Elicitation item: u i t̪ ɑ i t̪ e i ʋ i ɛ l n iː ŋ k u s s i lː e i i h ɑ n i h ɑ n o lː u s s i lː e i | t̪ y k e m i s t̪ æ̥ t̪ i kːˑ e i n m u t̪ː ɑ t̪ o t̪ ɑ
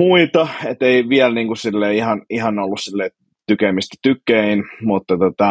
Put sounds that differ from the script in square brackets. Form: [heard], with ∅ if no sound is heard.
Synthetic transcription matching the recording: u i t̪ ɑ [e] t̪ e i ʋ i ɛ l n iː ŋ k u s s i lː e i i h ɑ n i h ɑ n o lː u s s i lː e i | t̪ y k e m i s t̪ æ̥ t̪ [y] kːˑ e i n m u t̪ː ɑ t̪ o t̪ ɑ